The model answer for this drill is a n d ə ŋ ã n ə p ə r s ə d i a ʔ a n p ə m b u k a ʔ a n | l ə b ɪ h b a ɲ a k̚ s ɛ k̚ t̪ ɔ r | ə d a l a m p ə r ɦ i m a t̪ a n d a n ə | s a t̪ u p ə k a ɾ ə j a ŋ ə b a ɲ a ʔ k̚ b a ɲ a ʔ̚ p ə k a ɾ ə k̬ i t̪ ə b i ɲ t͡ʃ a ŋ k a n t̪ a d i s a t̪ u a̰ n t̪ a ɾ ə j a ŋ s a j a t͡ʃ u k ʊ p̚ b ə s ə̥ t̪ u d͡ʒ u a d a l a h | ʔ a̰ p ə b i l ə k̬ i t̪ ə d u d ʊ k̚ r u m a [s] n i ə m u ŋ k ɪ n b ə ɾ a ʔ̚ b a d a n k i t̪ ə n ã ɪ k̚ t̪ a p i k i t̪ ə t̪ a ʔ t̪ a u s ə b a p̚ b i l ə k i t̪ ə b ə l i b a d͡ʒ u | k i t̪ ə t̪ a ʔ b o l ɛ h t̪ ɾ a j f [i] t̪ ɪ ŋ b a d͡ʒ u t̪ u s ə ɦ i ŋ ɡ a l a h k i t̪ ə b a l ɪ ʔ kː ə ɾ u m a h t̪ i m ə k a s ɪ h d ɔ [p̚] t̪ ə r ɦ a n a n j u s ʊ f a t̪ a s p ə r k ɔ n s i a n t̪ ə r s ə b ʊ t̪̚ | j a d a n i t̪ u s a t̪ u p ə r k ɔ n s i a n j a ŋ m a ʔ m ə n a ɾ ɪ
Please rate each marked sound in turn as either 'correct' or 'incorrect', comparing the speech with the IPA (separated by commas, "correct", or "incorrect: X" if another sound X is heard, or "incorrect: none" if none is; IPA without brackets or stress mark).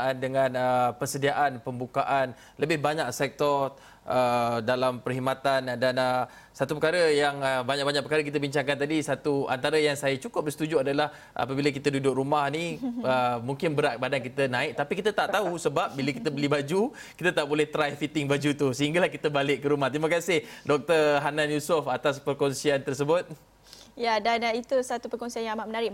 incorrect: h, correct, incorrect: k̚